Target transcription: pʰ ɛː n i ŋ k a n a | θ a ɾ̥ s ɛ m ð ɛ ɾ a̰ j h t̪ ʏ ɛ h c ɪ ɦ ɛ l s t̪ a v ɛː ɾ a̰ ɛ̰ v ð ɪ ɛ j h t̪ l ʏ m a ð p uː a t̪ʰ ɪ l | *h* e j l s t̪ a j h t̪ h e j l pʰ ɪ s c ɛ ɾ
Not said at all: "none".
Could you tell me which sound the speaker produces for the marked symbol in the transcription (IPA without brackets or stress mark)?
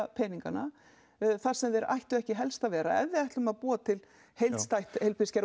h